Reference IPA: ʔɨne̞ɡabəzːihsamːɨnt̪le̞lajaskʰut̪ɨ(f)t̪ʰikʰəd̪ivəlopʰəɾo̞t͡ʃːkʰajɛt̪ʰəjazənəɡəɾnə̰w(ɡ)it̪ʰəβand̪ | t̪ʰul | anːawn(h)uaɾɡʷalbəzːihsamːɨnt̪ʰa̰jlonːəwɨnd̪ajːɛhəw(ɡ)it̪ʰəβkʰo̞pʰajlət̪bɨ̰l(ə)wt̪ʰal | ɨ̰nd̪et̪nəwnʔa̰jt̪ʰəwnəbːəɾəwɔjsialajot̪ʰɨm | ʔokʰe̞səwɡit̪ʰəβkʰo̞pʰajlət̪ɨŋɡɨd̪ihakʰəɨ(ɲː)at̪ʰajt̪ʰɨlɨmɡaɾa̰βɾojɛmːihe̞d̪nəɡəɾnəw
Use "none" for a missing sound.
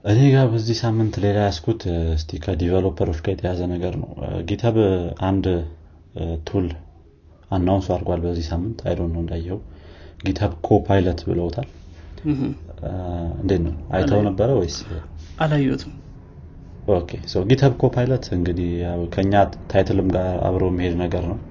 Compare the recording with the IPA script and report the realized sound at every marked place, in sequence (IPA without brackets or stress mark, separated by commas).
s, ɡ, s, ɡ, ə, ɲː